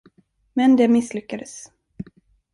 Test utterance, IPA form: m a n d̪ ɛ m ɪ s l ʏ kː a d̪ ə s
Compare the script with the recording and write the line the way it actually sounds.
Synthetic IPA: m ɛ n d̪ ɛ m ɪ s l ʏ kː a d̪ ə s